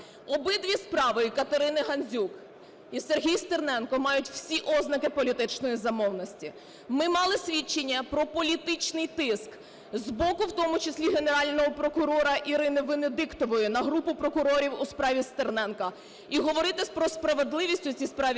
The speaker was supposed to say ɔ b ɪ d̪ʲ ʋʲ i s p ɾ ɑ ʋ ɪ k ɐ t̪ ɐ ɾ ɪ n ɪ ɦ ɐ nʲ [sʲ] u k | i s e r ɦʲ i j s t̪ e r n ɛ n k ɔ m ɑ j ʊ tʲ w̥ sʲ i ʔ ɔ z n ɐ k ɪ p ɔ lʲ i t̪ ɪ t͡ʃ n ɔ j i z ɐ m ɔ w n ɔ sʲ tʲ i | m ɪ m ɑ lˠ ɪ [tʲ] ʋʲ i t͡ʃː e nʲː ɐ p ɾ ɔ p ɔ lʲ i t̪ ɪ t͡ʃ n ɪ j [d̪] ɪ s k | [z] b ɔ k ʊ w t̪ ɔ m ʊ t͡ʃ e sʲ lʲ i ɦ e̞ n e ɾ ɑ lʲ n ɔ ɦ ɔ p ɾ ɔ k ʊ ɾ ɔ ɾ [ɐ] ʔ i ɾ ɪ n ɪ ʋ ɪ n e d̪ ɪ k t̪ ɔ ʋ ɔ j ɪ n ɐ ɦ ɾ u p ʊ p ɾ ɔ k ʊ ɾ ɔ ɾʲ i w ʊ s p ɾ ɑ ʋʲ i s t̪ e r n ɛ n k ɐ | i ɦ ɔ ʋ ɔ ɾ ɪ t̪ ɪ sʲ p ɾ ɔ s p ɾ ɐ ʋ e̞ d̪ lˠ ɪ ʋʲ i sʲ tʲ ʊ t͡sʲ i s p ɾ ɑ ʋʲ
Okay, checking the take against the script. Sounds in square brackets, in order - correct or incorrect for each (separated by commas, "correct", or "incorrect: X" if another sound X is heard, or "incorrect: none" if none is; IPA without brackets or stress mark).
incorrect: zʲ, incorrect: sʲ, incorrect: t̪, correct, correct